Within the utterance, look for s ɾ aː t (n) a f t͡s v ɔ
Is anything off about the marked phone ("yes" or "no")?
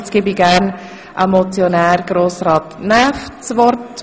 no